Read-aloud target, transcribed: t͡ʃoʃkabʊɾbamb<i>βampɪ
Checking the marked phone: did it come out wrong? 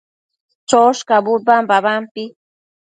yes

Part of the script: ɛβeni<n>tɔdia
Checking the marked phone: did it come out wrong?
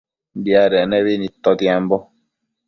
yes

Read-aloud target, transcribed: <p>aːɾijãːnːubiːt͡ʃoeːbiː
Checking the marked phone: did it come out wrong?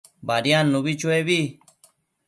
yes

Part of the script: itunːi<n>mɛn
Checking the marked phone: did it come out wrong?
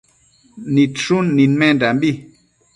no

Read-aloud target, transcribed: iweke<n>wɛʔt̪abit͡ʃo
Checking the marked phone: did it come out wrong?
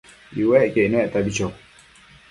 no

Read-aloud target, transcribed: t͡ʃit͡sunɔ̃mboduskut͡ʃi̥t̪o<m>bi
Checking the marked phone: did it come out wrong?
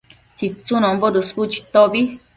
yes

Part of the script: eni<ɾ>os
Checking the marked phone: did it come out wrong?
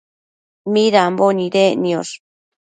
yes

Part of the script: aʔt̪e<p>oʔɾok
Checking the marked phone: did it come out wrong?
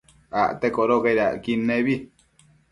yes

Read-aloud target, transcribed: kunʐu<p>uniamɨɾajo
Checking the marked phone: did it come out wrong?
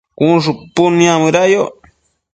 no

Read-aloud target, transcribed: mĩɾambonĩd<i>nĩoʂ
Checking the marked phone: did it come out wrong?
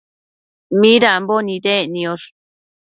yes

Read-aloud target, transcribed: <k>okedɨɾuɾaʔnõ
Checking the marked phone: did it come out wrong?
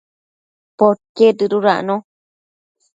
yes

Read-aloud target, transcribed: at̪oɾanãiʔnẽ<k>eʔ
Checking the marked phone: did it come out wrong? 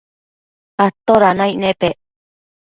yes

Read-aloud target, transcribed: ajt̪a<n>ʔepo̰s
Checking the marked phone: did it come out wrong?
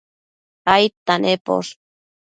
no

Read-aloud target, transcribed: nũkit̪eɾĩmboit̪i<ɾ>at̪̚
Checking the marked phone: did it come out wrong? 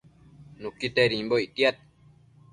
yes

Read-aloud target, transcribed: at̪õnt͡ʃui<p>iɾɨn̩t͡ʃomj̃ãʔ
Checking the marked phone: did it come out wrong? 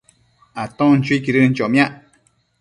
yes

